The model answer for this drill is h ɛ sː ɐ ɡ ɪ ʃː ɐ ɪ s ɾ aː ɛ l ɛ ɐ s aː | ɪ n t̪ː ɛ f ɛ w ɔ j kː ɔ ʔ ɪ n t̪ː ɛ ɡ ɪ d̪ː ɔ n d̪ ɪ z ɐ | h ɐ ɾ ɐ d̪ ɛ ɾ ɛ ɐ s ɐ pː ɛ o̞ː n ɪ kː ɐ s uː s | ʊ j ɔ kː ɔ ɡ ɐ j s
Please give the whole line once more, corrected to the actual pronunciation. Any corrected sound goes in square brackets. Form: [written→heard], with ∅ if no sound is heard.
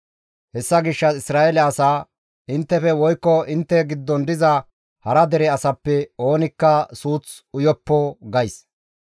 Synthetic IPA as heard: h ɛ sː ɐ ɡ ɪ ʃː ɐ ɪ s ɾ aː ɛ l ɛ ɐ s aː | ɪ n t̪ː ɛ f ɛ w ɔ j kː ɔ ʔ ɪ n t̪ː ɛ ɡ ɪ d̪ː ɔ n d̪ ɪ z ɐ | h ɐ ɾ ɐ d̪ ɛ ɾ ɛ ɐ s ɐ pː ɛ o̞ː n ɪ kː ɐ s uː [s→t͡s] | ʊ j ɔ [kː→pː] ɔ ɡ ɐ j s